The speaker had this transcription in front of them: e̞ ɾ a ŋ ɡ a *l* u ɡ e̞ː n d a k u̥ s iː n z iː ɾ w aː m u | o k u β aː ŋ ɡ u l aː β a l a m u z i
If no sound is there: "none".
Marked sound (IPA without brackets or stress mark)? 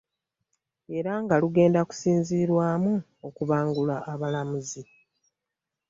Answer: l